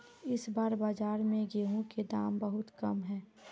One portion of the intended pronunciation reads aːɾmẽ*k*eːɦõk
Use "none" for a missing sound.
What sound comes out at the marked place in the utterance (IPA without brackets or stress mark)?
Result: ɡ